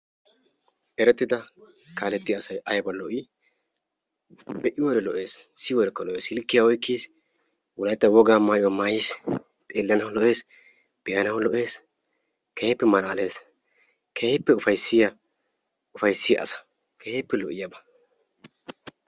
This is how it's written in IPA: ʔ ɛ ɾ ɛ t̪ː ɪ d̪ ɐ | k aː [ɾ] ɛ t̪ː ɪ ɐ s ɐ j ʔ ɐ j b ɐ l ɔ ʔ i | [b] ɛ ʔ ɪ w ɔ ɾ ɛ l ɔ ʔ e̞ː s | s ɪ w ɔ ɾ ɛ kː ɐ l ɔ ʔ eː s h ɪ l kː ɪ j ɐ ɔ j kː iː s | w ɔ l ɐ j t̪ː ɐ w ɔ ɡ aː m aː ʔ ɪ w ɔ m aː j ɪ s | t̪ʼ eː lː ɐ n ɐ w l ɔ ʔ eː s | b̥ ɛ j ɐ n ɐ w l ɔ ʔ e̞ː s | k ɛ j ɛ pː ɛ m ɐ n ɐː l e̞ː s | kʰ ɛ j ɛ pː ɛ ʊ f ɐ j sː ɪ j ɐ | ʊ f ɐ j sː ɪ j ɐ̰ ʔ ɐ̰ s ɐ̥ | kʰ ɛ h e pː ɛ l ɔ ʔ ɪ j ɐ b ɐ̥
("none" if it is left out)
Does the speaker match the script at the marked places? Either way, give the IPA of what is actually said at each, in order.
l, b

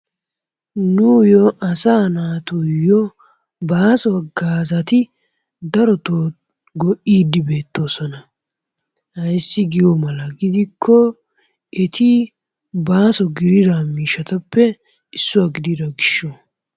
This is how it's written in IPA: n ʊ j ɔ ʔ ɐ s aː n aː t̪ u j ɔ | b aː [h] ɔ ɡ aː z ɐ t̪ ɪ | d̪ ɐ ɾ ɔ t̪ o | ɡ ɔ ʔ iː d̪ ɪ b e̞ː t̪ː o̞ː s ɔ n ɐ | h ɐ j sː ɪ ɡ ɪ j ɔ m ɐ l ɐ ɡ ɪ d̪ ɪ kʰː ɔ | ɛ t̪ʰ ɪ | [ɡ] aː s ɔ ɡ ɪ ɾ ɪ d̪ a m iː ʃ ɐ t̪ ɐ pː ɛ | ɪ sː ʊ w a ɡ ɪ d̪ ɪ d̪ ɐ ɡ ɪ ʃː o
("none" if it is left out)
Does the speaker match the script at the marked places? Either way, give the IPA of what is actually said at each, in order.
s, b

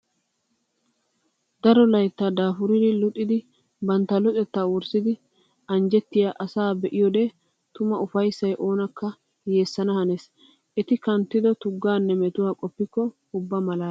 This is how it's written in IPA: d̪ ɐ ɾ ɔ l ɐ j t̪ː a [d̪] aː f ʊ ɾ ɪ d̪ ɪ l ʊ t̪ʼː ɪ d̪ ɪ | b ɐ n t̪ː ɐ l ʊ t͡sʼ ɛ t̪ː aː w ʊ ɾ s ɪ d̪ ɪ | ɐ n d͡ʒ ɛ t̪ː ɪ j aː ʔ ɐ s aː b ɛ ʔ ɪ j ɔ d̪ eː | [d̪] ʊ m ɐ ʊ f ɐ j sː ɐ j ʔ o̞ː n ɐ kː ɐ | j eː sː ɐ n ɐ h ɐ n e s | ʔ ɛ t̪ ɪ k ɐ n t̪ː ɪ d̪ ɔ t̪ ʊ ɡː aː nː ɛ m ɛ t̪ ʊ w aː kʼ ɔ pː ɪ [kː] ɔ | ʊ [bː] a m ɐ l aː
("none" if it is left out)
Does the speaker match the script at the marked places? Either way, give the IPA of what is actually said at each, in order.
d̪, t̪, kː, bː

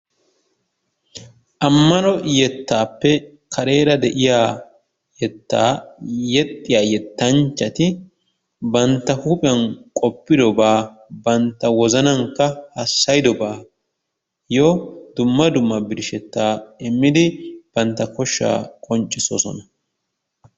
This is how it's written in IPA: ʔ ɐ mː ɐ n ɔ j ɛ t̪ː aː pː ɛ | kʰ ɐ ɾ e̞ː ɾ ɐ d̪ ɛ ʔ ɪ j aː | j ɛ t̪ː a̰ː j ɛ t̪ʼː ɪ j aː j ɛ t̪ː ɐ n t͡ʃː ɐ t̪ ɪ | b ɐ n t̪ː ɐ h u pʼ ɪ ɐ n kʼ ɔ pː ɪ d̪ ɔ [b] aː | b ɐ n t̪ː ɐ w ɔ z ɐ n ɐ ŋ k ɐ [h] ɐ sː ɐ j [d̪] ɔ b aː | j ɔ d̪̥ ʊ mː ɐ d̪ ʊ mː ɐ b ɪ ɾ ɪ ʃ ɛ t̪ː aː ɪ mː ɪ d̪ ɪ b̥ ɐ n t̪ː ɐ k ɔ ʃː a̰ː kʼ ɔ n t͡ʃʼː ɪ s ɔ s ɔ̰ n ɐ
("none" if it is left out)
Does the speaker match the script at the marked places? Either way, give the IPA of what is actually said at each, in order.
b, h, d̪

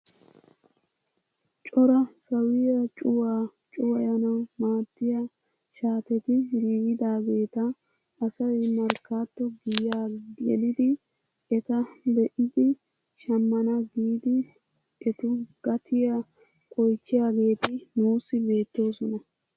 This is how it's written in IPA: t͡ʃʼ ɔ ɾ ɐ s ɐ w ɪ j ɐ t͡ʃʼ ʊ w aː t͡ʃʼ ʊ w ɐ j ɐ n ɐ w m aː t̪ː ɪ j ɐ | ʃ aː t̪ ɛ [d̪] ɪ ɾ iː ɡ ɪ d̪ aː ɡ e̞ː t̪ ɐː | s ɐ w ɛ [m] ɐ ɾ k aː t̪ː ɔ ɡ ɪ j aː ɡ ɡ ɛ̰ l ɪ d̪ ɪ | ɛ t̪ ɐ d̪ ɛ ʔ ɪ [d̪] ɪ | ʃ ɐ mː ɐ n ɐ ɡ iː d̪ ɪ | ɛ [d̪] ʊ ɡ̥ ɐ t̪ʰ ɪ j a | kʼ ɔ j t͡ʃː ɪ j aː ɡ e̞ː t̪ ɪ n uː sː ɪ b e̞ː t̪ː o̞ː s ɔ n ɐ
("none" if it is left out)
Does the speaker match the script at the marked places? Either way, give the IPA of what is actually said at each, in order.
t̪, m, d̪, t̪

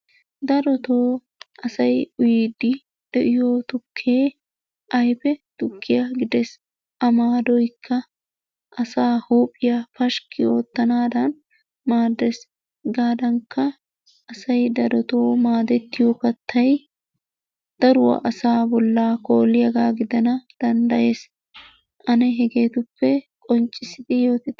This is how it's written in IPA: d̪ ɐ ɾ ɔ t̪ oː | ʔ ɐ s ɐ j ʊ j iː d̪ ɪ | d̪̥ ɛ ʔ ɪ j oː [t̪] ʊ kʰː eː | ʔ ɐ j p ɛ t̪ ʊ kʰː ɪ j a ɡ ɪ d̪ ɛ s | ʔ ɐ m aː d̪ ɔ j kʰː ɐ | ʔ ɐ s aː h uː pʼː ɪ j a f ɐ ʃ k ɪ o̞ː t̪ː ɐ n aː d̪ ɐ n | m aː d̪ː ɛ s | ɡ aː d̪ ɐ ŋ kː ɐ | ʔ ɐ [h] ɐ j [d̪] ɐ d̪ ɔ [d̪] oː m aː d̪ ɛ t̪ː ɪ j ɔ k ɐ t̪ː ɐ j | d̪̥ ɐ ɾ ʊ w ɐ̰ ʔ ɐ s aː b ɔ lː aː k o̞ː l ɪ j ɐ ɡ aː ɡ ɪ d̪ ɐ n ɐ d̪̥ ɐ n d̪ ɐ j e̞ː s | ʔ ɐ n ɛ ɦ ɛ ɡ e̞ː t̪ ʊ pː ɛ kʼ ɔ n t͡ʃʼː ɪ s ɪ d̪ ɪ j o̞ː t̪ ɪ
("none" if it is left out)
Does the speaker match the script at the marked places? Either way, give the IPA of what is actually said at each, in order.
t̪, s, d̪, t̪

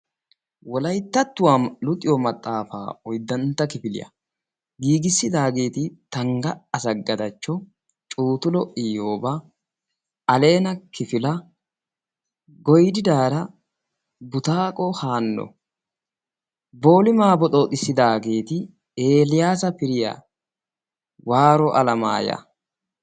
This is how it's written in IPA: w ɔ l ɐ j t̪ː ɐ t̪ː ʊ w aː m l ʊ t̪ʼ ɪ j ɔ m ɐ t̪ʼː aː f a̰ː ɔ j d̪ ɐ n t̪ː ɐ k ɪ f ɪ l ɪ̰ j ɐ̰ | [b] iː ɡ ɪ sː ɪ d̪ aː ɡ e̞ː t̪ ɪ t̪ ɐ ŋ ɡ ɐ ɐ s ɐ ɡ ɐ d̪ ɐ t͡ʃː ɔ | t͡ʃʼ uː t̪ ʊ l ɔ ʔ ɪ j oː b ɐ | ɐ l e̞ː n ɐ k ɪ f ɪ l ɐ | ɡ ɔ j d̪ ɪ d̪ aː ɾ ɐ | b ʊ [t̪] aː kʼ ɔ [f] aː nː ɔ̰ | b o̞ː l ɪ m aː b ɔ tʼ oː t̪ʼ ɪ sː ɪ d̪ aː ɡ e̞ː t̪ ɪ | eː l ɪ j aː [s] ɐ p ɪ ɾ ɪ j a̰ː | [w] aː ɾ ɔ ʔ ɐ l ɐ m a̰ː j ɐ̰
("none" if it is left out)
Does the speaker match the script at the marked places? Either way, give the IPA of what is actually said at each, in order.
ɡ, t̪, h, s, w

